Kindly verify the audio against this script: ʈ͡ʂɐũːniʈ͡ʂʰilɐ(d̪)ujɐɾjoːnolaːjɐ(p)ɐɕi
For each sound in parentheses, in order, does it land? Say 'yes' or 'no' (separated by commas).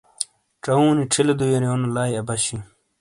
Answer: yes, no